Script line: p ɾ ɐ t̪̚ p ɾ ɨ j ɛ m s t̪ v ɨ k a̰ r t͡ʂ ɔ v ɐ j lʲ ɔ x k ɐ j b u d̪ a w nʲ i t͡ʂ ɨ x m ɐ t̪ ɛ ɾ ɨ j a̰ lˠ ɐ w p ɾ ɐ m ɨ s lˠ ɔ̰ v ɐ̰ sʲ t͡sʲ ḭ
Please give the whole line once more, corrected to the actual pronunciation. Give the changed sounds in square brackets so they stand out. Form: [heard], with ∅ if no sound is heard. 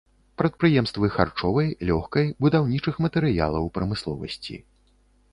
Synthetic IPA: p ɾ ɐ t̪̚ p ɾ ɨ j ɛ m s t̪ v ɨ [x] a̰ r t͡ʂ ɔ v ɐ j lʲ ɔ x k ɐ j b u d̪ a w nʲ i t͡ʂ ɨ x m ɐ t̪ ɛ ɾ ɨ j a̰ lˠ ɐ w p ɾ ɐ m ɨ s lˠ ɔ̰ v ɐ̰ sʲ t͡sʲ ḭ